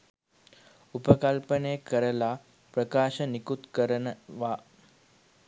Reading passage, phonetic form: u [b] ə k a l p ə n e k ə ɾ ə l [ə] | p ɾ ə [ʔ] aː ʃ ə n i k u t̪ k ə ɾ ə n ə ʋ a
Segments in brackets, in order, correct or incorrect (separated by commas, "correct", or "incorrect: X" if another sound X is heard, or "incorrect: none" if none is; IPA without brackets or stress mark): incorrect: p, incorrect: a, incorrect: k